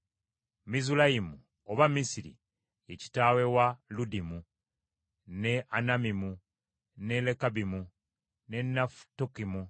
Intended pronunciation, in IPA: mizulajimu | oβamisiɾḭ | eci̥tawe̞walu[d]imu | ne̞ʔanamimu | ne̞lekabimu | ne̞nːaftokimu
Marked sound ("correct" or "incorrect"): correct